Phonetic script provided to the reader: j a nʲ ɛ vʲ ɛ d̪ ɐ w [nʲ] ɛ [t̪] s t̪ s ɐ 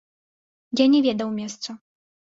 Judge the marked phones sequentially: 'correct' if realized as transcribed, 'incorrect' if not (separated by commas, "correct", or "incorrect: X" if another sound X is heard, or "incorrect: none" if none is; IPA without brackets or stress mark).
incorrect: mʲ, incorrect: none